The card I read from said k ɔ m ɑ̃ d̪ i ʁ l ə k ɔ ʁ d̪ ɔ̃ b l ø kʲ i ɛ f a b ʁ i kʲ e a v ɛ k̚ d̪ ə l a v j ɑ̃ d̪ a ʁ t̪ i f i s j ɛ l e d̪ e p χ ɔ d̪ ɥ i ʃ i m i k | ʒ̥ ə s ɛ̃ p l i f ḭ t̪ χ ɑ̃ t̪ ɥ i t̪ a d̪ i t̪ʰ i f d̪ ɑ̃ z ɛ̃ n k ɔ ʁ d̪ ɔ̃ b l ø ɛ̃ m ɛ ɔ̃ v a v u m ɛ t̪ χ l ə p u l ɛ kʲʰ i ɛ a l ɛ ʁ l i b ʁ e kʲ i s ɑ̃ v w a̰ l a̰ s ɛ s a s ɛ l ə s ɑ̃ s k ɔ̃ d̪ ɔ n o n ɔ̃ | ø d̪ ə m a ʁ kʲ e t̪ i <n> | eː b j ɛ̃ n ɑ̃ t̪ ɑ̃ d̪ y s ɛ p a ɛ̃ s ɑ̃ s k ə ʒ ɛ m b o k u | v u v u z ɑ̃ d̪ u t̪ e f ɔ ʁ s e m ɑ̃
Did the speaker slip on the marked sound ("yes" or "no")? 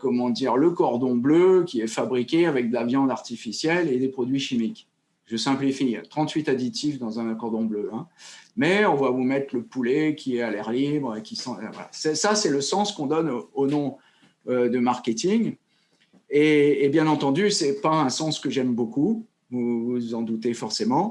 yes